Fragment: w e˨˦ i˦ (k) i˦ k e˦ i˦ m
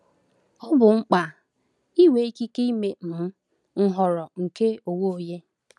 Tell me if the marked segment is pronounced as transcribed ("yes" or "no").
yes